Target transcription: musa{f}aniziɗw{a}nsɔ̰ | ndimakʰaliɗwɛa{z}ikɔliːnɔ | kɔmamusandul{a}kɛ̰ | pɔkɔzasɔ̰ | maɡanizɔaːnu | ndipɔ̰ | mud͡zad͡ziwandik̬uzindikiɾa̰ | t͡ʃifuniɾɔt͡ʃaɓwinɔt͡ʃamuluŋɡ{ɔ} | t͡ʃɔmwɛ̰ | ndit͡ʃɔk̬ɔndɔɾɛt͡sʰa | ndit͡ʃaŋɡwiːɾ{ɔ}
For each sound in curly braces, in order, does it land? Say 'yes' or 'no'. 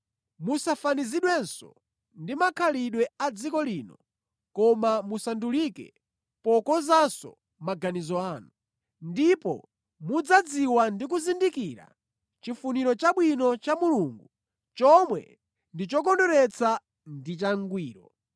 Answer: yes, no, no, no, no, yes

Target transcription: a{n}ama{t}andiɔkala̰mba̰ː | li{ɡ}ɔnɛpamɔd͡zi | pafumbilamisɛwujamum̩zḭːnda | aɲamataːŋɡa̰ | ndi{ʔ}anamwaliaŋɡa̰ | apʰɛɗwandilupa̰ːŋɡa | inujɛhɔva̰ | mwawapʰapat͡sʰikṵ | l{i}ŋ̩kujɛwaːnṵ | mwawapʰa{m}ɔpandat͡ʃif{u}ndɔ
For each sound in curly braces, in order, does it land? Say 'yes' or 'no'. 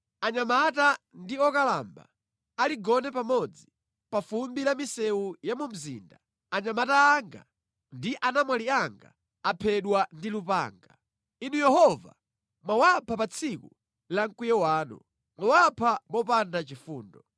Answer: no, yes, yes, yes, no, yes, no

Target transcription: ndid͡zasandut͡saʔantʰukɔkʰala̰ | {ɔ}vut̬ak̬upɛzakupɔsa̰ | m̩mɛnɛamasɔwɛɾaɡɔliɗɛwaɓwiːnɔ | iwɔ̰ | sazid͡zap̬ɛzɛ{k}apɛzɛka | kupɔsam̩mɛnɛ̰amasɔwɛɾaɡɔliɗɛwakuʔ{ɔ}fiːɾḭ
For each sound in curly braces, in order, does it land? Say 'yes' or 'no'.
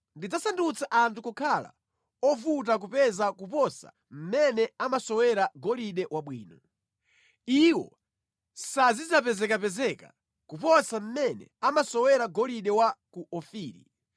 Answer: yes, yes, yes

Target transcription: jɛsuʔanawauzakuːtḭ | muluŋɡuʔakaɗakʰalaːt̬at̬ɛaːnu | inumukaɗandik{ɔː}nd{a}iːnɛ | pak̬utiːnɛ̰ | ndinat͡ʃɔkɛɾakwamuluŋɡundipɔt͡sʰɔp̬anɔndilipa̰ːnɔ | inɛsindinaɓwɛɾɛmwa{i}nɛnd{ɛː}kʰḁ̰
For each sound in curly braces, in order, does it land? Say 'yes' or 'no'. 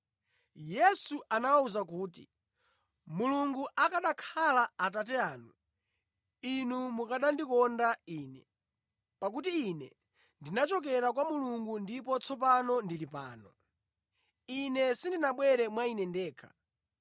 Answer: no, yes, yes, yes

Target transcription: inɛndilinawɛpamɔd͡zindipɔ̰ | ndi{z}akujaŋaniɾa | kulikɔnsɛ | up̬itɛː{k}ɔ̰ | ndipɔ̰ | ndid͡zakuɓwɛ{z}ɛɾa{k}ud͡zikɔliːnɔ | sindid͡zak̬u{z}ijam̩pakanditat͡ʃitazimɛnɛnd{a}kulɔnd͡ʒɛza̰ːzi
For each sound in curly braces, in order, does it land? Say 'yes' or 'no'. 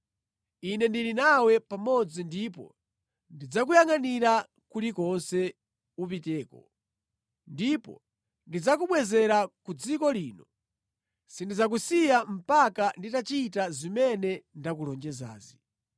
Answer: no, yes, yes, yes, no, yes

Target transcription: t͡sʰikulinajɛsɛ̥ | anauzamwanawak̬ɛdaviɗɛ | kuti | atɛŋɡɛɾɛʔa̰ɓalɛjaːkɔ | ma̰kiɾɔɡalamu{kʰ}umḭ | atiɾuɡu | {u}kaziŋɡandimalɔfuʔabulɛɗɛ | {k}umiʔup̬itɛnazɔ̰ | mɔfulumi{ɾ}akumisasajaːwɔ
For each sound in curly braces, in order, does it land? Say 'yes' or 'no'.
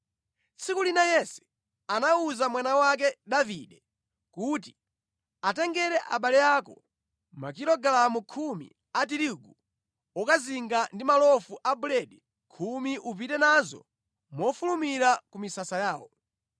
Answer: yes, no, no, yes

